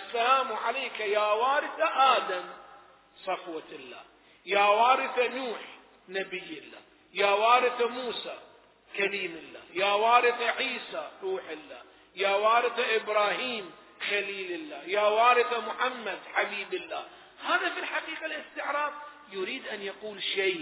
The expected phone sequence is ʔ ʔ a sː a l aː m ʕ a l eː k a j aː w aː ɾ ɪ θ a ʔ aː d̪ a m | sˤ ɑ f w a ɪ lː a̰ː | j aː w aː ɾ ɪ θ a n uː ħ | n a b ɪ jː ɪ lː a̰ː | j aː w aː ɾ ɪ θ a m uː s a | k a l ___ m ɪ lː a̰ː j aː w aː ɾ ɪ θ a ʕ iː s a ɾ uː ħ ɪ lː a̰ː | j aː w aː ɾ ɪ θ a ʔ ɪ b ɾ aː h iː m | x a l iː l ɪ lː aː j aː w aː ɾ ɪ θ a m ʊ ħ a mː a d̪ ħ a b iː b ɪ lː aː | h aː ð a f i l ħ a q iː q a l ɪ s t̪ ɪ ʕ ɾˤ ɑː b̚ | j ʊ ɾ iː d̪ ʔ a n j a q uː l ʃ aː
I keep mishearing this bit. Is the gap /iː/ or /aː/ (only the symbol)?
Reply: iː